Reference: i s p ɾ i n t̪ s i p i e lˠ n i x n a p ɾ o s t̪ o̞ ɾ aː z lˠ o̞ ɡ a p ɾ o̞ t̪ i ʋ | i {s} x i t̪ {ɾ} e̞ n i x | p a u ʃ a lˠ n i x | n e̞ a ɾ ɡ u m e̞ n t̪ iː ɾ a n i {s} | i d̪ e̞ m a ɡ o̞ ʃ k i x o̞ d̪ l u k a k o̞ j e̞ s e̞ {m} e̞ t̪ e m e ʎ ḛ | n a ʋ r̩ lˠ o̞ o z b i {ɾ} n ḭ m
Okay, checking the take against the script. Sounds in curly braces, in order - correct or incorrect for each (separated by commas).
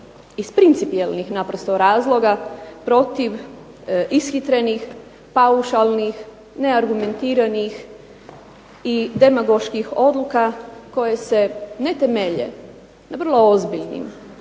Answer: correct, correct, incorrect, incorrect, incorrect